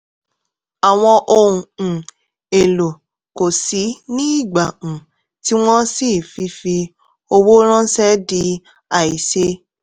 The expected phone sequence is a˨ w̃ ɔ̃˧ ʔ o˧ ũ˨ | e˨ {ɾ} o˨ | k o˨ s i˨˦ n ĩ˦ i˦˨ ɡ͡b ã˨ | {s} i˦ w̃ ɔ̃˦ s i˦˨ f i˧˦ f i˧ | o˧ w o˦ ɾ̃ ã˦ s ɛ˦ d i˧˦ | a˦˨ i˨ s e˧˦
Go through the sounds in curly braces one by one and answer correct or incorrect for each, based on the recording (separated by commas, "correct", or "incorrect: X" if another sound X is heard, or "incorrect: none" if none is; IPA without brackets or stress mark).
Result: incorrect: l, incorrect: t